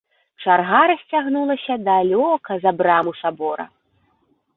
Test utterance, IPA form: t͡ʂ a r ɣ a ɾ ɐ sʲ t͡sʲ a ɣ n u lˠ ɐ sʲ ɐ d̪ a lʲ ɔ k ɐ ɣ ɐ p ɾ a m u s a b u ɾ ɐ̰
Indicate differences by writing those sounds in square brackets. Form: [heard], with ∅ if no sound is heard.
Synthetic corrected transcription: t͡ʂ a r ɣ a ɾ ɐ sʲ t͡sʲ a ɣ n u lˠ ɐ sʲ ɐ d̪ a lʲ ɔ k ɐ [z] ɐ [b] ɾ a m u s a b [ɔ] ɾ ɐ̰